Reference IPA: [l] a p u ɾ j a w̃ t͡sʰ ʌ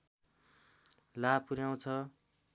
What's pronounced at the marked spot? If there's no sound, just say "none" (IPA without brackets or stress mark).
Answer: l